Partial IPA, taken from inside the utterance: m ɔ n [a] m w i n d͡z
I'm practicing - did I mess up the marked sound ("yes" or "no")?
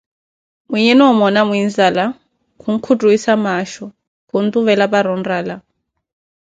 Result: no